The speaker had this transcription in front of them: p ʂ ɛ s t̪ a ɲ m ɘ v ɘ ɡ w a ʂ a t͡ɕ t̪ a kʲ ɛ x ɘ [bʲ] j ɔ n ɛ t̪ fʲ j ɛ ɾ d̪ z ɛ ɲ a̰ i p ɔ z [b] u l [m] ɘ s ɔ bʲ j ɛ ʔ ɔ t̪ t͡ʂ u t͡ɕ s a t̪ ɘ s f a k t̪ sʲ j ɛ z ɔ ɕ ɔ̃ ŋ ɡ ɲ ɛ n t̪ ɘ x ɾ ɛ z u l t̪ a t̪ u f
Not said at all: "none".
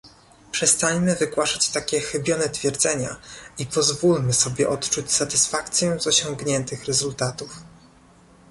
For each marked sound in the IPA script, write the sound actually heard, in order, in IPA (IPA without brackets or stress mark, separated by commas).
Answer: bʲ, v, m